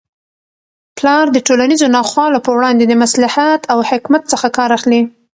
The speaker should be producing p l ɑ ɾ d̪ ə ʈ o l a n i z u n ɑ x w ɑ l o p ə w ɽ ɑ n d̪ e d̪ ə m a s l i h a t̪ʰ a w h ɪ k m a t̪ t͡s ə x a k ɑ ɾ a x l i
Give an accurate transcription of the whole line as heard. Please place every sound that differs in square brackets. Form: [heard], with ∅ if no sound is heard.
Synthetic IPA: p l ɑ ɾ d̪ ə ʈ o l a n i z [o] n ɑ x w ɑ l o p ə w ɽ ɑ n d̪ e d̪ ə m a s l [a] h a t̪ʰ a w h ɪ k m a t̪ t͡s ə x a k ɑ ɾ a x l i